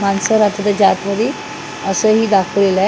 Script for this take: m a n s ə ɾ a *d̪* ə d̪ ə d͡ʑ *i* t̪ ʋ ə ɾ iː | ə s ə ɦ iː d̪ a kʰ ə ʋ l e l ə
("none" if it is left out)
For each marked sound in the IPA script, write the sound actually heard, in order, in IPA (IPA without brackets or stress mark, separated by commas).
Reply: t̪, a